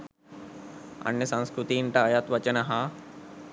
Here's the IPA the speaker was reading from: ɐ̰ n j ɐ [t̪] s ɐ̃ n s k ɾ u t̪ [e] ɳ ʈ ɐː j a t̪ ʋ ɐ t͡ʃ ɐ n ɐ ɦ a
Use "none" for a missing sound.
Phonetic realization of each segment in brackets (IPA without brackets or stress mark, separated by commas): none, i